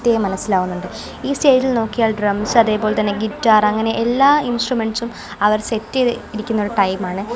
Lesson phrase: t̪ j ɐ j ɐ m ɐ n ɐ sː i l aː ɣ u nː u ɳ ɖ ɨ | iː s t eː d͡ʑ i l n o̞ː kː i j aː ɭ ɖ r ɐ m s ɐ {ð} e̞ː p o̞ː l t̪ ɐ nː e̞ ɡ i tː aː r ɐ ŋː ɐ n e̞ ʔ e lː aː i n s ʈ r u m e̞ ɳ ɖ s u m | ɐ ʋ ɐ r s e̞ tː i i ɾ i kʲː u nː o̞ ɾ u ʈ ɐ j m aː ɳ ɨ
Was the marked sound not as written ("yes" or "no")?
no